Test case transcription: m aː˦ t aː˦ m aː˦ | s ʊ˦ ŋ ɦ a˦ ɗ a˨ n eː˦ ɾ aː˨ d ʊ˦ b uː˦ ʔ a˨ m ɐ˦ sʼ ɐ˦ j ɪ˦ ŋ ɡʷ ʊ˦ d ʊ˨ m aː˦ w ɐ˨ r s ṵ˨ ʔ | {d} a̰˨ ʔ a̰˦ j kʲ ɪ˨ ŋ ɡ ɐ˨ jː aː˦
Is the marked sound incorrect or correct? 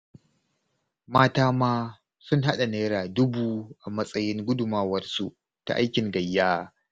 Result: incorrect